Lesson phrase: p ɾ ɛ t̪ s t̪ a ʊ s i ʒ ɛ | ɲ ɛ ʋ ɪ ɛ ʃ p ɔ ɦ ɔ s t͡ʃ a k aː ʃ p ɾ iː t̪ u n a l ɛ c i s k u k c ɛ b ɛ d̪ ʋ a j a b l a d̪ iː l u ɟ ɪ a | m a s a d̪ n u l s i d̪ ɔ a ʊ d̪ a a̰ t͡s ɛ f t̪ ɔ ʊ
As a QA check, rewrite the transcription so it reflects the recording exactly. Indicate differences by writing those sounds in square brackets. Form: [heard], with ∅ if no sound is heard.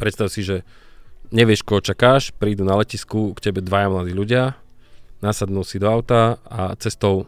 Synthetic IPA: p ɾ ɛ t̪ s t̪ a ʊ s i ʒ ɛ | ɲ ɛ ʋ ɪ ɛ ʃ [k] ɔ ɦ ɔ [∅] t͡ʃ a k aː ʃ p ɾ iː [d̪] u n a l ɛ c i s k u k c ɛ b ɛ d̪ ʋ a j a [m] l a d̪ iː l u ɟ ɪ a | [n] a s a d̪ n u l s i d̪ ɔ a ʊ [t̪] a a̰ t͡s ɛ [s] t̪ ɔ ʊ